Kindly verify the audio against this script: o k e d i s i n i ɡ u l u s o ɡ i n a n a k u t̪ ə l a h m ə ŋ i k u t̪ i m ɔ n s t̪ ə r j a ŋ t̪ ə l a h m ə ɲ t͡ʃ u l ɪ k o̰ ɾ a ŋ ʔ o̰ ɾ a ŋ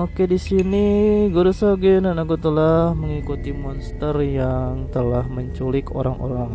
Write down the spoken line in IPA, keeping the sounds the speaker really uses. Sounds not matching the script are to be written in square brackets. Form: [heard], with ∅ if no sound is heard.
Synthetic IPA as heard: o k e d i s i n i ɡ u [ɾ] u s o ɡ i n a n a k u t̪ ə l a h m ə ŋ i k u t̪ i m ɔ n s t̪ ə r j a ŋ t̪ ə l a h m ə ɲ t͡ʃ u l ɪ k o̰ ɾ a ŋ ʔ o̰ ɾ a ŋ